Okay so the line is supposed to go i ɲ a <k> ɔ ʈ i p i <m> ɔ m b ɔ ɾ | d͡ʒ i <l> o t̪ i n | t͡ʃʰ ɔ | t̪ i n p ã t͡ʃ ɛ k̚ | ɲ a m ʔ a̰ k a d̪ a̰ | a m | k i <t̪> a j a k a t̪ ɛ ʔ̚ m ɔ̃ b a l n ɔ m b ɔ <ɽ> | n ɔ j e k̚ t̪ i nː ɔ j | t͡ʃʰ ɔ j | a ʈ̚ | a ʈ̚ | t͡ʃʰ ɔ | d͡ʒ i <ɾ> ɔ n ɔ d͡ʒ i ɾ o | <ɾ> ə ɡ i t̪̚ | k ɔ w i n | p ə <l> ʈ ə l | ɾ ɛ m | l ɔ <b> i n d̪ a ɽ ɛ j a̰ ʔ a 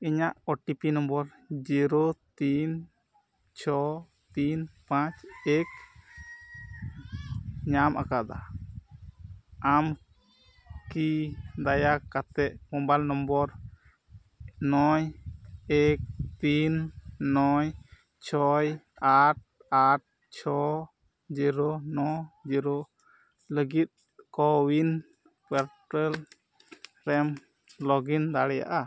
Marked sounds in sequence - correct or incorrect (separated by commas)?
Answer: incorrect, incorrect, incorrect, incorrect, incorrect, correct, incorrect, incorrect, incorrect